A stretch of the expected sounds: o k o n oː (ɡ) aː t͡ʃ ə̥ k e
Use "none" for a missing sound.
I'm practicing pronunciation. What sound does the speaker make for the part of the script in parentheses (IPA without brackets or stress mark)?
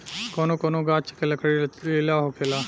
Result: ɡ